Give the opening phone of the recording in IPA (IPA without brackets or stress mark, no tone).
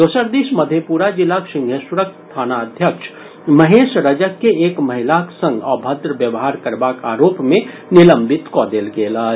d̪